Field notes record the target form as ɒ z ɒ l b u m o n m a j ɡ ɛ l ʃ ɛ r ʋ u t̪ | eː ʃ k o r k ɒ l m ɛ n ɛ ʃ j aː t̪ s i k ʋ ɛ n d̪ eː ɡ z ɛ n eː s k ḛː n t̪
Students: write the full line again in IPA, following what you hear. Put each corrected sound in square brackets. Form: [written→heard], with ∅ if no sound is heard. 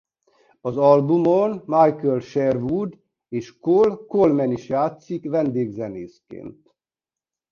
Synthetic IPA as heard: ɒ z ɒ l b u m o n m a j [ɡ→k] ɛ l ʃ ɛ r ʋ u [t̪→d̪] | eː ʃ k o [r→l] k [ɒ→o] l m ɛ n [ɛ→i] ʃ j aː t̪ s i k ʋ ɛ n d̪ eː ɡ z ɛ n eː s k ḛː n t̪